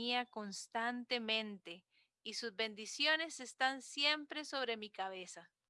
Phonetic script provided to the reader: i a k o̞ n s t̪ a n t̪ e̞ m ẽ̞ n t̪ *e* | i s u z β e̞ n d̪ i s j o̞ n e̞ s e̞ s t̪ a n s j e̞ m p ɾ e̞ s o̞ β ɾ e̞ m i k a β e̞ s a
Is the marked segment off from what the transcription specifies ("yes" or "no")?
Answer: no